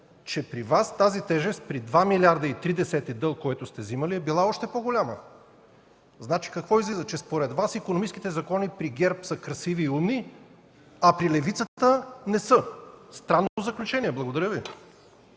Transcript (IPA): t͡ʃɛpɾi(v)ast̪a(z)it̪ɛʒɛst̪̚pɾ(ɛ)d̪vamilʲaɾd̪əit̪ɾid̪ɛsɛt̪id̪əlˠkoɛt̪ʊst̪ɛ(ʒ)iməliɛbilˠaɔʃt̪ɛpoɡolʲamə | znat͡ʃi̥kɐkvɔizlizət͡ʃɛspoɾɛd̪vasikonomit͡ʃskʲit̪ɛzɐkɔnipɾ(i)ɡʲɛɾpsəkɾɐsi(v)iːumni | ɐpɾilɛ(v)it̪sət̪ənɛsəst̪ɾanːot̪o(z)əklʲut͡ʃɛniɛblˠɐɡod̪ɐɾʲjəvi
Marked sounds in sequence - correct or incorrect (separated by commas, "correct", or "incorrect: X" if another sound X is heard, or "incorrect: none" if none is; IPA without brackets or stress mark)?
correct, correct, incorrect: i, incorrect: z, correct, correct, correct, correct